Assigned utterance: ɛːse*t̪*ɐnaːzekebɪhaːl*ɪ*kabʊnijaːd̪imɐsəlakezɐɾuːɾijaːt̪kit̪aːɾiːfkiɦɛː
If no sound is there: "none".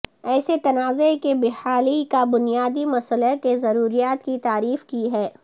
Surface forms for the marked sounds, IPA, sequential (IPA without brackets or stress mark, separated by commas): t̪, i